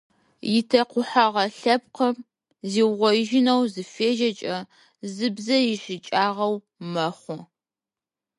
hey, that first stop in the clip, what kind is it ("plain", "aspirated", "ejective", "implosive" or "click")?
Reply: aspirated